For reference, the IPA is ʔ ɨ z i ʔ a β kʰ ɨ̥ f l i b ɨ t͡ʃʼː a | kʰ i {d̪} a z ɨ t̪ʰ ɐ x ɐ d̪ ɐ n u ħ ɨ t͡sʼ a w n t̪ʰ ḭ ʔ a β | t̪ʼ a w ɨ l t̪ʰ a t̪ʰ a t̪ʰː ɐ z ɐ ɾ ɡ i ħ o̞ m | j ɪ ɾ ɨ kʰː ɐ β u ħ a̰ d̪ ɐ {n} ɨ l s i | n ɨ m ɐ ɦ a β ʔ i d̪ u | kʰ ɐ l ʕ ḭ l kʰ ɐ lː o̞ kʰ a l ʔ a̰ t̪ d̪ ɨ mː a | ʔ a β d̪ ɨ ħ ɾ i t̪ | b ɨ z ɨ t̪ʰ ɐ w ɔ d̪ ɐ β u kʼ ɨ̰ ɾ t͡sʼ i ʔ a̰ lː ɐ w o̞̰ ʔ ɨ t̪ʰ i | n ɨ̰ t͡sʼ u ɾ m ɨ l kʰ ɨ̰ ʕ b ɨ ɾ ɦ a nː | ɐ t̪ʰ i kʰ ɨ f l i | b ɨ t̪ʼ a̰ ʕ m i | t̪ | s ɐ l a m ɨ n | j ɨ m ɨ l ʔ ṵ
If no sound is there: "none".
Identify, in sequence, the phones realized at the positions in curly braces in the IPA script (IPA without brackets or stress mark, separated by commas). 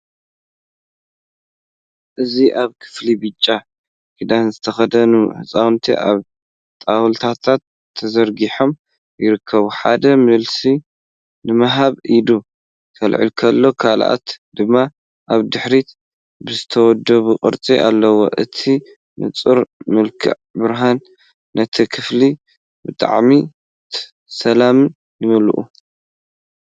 d̪, m